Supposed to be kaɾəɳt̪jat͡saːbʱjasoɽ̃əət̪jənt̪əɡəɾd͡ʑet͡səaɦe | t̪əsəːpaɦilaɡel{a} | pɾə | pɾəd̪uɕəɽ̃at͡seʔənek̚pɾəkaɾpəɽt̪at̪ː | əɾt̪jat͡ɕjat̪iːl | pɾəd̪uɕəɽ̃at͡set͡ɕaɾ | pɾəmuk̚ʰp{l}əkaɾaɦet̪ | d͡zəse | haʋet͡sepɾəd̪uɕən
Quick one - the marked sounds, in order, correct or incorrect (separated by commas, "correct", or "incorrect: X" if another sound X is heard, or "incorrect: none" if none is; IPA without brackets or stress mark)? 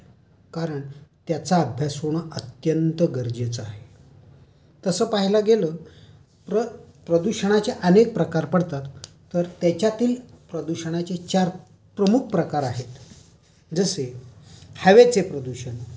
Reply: incorrect: ə, incorrect: ɾ